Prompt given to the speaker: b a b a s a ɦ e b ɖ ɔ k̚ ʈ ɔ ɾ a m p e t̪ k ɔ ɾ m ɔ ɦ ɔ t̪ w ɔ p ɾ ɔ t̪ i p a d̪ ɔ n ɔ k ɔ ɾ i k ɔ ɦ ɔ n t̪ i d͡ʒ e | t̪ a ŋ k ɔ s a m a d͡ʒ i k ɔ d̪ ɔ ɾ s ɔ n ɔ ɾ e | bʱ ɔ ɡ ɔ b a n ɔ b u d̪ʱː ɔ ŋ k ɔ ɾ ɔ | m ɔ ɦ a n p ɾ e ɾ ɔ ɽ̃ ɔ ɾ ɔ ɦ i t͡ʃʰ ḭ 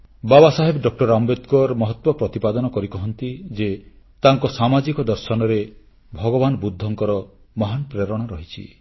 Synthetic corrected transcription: b a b a s a ɦ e b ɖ ɔ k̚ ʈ ɔ ɾ a m b e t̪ k ɔ ɾ m ɔ ɦ ɔ t̪ w ɔ p ɾ ɔ t̪ i p a d̪ ɔ n ɔ k ɔ ɾ i k ɔ ɦ ɔ n t̪ i d͡ʒ e | t̪ a ŋ k ɔ s a m a d͡ʒ i k ɔ d̪ ɔ ɾ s ɔ n ɔ ɾ e | bʱ ɔ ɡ ɔ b a n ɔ b u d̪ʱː ɔ ŋ k ɔ ɾ ɔ | m ɔ ɦ a n p ɾ e ɾ ɔ ɽ̃ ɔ ɾ ɔ ɦ i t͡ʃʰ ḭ